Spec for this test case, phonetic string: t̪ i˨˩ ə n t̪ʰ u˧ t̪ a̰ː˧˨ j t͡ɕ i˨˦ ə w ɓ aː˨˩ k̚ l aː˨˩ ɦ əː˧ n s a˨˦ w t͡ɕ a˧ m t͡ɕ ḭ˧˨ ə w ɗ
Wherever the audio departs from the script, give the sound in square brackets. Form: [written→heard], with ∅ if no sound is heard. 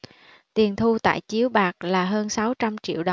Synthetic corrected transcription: t̪ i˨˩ ə n t̪ʰ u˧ t̪ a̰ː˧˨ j t͡ɕ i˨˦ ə w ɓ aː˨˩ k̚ l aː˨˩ ɦ əː˧ n s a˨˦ w t͡ɕ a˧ m t͡ɕ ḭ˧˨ ə w ɗ